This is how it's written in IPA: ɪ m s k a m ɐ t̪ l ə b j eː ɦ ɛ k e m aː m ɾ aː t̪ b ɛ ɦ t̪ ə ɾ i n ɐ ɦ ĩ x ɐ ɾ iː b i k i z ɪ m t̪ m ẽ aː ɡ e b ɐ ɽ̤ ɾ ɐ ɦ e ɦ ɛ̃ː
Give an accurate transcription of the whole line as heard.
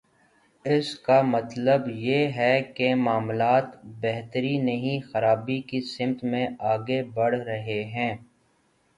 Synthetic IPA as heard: ɪ s k a m ɐ t̪ l ə b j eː ɦ ɛ k e m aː m l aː t̪ b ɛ ɦ t̪ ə ɾ i n ɐ ɦ ĩ x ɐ ɾ aː b i k i s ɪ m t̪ m ẽ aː ɡ e b ɐ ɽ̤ ɾ ɐ ɦ e ɦ ɛ̃ː